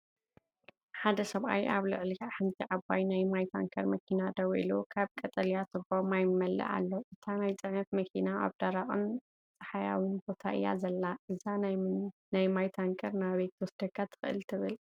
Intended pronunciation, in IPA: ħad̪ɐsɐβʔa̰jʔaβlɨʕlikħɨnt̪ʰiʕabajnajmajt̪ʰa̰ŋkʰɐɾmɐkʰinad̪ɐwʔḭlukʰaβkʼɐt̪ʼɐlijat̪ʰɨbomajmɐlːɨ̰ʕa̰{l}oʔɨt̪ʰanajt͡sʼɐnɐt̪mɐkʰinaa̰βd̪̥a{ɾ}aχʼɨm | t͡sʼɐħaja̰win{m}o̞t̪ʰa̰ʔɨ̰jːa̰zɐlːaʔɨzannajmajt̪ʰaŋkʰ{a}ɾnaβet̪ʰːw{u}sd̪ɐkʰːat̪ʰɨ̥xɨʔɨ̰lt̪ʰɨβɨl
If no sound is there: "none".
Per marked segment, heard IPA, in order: lː, ɾ, b, ɐ, ɔ

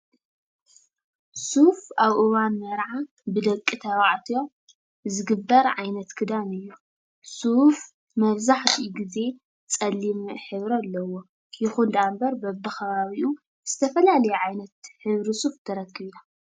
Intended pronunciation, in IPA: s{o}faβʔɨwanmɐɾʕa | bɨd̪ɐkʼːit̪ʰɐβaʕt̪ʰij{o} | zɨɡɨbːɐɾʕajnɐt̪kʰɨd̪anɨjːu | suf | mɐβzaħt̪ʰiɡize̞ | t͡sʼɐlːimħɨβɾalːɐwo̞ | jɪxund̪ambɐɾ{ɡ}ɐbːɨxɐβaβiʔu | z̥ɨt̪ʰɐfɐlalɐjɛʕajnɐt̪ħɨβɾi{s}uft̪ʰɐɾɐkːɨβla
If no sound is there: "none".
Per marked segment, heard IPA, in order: u, o, b, s

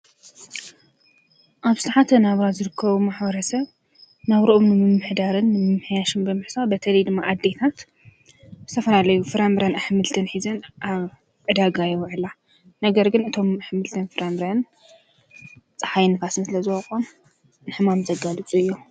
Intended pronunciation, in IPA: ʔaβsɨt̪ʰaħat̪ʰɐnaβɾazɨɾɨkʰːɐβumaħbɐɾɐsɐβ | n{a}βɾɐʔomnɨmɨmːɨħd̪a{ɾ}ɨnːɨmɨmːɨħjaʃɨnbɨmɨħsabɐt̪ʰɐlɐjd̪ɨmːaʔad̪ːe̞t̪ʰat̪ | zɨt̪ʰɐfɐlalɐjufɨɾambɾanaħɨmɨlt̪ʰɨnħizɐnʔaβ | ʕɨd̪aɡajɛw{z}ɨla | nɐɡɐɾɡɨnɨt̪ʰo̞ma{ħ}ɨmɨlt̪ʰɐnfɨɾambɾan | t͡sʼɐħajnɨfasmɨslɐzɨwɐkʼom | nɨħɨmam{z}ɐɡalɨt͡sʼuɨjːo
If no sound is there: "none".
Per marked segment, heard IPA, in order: a, ɾ, ʕ, ħ, z

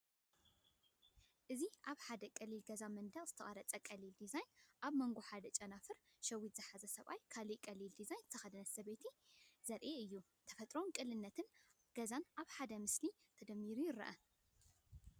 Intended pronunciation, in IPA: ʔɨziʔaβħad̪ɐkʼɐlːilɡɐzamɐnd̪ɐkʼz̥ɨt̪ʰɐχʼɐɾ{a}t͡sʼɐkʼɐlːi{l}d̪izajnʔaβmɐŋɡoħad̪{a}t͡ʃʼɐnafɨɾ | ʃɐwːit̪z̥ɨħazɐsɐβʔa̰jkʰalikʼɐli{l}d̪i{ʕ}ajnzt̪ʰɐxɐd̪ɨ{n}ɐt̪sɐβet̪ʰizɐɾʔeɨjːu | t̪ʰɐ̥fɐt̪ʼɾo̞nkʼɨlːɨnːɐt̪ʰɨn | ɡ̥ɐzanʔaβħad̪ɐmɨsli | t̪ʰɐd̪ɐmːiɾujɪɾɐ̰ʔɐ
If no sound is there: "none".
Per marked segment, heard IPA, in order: ɐ, l, ɐ, l, z, n

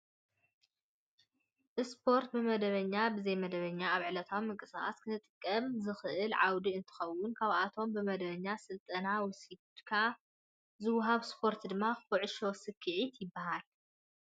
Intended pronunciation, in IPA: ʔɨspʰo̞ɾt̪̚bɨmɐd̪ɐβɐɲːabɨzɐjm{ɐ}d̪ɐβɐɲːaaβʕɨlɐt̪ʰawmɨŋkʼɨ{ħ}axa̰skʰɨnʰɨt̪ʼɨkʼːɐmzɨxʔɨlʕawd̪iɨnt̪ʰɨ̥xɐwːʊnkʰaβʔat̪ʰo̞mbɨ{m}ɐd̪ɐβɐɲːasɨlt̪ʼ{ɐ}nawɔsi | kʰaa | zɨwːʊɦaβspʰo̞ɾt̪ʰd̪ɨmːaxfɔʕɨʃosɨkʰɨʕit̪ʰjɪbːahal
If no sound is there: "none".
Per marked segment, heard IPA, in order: ɐ, s, m, ɐ

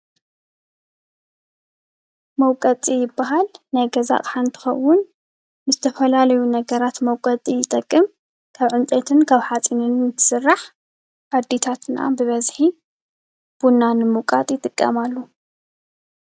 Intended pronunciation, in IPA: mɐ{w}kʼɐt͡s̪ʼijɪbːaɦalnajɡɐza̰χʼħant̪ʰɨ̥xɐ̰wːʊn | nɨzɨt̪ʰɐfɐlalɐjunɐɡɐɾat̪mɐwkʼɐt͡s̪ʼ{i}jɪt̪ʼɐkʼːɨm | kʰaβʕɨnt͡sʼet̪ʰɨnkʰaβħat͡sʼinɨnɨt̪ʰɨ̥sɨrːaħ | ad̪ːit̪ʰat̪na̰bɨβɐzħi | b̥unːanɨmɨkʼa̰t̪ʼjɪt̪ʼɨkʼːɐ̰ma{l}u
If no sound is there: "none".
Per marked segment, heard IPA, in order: w, i, lː

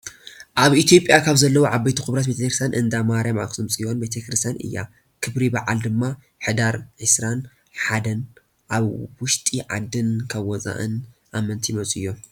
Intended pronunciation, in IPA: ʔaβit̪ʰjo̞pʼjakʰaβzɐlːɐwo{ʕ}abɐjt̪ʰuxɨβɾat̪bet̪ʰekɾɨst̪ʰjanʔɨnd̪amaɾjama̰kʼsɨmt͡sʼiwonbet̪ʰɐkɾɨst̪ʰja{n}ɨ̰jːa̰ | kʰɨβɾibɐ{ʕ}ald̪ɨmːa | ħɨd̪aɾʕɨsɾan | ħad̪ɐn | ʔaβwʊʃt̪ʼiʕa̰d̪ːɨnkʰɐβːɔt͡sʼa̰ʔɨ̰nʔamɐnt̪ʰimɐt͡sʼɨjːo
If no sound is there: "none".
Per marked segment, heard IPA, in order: ʕ, n, ʕ

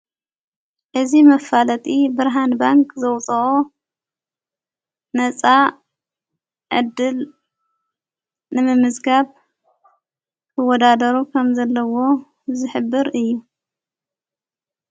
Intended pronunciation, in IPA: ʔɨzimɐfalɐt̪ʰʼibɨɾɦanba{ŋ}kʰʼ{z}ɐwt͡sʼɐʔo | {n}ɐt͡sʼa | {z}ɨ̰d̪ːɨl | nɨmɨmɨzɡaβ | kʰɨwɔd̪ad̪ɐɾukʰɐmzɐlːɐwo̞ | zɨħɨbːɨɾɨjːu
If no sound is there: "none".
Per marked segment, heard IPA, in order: ŋ, z, n, ʕ

